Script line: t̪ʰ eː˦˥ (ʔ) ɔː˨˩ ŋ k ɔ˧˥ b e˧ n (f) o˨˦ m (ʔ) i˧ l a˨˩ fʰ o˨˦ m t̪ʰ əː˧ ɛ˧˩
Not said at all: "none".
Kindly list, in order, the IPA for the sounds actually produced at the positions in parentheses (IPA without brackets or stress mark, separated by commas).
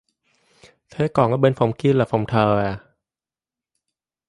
k, f, k